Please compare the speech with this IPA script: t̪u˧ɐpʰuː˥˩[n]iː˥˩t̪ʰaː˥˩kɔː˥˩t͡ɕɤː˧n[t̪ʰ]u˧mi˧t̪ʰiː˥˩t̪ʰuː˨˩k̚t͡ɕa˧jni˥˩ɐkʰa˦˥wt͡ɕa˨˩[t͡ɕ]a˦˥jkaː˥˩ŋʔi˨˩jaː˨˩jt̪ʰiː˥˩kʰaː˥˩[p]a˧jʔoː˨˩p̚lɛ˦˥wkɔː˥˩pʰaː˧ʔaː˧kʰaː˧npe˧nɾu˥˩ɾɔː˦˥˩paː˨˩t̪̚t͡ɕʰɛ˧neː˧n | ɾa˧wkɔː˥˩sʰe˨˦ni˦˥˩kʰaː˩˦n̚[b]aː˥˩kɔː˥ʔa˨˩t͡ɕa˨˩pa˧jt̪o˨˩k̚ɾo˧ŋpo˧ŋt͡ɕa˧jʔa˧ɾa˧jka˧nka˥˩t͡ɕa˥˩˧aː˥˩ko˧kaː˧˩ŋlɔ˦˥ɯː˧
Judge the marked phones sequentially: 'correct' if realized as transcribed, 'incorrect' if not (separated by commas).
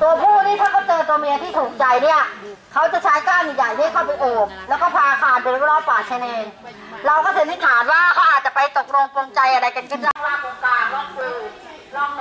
correct, incorrect, incorrect, correct, incorrect